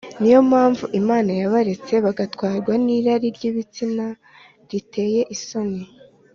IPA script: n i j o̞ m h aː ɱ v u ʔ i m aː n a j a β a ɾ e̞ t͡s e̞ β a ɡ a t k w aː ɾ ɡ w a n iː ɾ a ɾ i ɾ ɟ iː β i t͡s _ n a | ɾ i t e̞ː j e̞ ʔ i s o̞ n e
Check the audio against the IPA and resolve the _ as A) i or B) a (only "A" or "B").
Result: A